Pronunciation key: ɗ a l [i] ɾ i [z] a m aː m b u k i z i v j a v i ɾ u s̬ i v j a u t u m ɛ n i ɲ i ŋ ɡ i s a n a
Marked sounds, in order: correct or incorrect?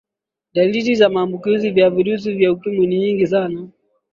correct, correct

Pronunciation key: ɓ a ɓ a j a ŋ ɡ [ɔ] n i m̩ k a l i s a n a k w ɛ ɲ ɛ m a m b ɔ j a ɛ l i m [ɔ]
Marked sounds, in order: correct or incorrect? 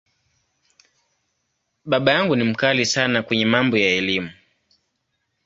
incorrect: u, incorrect: u

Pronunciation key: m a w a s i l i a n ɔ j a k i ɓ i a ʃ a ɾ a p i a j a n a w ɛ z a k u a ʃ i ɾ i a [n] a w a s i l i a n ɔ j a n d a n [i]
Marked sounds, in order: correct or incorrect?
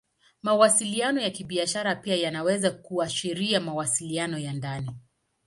incorrect: m, correct

